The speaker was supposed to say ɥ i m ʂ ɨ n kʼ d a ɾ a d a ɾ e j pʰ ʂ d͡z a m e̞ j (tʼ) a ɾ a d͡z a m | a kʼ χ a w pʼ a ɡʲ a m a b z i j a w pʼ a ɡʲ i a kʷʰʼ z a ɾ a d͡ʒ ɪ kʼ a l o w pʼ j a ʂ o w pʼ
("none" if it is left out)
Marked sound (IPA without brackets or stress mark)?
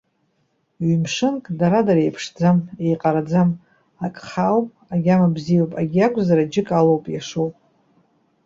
qʼ